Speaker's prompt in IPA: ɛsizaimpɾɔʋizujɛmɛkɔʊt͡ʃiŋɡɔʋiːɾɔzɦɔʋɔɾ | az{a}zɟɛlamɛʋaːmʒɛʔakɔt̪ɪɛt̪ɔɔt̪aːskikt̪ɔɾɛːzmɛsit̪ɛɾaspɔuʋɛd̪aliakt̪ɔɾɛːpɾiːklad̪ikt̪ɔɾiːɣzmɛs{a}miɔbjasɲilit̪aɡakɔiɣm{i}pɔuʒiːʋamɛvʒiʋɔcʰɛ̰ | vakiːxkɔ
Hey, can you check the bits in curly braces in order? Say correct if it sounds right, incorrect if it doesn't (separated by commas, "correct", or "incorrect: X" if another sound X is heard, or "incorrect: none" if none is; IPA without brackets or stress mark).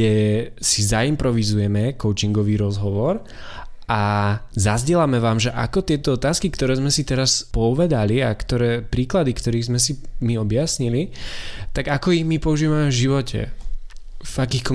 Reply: correct, incorrect: i, correct